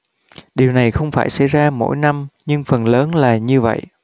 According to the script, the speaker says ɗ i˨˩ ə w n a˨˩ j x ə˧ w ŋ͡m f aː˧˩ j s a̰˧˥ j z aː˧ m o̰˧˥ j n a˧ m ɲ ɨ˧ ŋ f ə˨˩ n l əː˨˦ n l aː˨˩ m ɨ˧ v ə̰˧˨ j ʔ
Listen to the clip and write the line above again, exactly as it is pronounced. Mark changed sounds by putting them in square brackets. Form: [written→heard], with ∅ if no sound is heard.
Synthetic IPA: ɗ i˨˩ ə w n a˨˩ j x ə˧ w ŋ͡m f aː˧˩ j s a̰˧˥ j z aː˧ m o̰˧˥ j n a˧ m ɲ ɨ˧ ŋ f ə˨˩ n l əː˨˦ n l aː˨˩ [m→ɲ] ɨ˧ v ə̰˧˨ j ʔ